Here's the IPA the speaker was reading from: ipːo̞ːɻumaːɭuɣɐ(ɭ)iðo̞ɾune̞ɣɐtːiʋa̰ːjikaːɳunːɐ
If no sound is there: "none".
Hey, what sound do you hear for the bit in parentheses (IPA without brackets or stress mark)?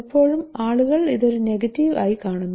ɭ